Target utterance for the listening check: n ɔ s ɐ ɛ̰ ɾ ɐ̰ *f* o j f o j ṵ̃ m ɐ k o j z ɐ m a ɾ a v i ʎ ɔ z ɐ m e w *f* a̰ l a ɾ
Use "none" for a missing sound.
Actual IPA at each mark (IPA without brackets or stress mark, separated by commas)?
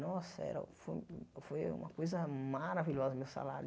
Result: f, s